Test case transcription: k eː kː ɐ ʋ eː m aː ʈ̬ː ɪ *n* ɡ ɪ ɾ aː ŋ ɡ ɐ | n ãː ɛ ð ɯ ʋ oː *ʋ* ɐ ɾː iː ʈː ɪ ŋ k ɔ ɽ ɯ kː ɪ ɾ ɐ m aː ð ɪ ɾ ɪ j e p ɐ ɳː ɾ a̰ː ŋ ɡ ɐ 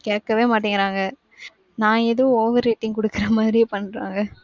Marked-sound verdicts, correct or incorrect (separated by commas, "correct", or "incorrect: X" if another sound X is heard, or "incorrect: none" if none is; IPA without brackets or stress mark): incorrect: ŋ, correct